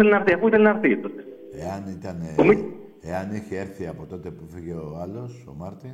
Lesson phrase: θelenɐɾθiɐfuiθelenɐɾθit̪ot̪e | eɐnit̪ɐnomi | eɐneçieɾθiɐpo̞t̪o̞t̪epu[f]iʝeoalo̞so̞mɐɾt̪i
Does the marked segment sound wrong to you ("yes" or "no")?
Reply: no